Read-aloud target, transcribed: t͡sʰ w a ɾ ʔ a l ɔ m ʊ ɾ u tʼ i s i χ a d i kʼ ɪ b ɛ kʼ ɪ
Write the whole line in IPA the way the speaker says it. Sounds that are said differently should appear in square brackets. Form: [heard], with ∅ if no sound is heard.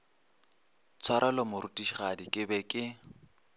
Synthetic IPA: t͡sʰ w a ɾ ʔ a l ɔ m ʊ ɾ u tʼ i [ʃ] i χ a d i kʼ ɪ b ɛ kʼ ɪ